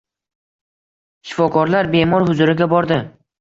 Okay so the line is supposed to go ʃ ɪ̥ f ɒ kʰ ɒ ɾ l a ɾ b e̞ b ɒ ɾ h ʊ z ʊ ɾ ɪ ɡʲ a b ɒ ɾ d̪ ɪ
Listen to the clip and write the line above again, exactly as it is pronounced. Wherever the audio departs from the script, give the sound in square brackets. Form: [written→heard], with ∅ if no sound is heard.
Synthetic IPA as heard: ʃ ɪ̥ f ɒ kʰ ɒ ɾ l a ɾ b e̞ [b→m] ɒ ɾ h ʊ z ʊ ɾ ɪ ɡʲ a b ɒ ɾ d̪ ɪ